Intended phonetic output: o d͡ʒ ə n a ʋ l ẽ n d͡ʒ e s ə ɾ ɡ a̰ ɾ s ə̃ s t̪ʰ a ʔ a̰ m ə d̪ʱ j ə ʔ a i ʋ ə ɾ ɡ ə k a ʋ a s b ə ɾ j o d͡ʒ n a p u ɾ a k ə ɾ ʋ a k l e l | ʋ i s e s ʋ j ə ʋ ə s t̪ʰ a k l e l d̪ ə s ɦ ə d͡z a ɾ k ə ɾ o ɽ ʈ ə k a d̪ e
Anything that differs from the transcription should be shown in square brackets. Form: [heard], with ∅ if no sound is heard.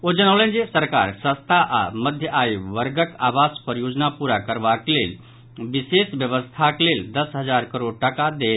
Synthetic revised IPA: o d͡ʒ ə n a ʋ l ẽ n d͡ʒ e s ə ɾ [k] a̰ ɾ s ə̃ s t̪ʰ a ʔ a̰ m ə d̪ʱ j ə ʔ a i ʋ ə ɾ ɡ ə k a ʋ a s [p] ə ɾ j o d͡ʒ n a p u ɾ a k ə ɾ ʋ a k l e l | ʋ i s e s ʋ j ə ʋ ə s t̪ʰ a k l e l d̪ ə s ɦ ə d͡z a ɾ k ə ɾ o ɽ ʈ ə k a d̪ e